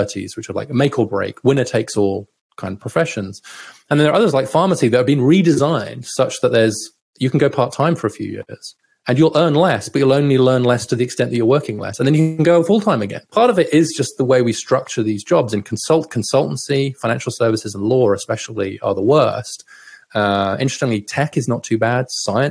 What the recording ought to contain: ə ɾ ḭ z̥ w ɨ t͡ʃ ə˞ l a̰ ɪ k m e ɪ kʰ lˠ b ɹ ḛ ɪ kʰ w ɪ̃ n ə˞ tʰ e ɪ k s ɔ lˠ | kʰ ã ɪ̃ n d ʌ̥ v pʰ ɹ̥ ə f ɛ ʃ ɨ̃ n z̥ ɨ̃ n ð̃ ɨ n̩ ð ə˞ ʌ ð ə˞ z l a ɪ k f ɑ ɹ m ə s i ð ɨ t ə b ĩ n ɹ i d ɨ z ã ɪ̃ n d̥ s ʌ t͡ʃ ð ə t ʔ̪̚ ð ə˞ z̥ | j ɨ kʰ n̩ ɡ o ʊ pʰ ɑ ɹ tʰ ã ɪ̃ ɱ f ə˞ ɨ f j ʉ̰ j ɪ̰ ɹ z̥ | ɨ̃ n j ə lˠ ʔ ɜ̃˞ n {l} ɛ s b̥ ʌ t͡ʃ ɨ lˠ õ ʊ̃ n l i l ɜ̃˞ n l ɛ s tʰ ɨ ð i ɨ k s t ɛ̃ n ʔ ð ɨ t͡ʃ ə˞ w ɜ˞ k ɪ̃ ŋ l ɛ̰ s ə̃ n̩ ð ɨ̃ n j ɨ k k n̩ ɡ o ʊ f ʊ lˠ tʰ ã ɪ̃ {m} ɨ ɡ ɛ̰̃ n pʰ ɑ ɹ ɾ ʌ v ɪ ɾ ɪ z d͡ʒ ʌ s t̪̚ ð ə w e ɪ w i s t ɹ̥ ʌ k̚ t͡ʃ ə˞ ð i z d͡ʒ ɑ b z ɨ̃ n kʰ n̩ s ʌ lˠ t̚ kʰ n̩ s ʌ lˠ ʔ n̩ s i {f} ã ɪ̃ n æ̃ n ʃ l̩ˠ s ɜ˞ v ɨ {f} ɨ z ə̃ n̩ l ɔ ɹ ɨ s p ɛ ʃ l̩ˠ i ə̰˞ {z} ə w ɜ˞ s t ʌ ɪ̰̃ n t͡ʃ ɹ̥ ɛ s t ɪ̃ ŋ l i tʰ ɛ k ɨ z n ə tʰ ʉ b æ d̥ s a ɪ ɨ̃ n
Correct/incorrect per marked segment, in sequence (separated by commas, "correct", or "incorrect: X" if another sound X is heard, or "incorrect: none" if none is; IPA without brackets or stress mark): correct, correct, correct, incorrect: s, incorrect: ð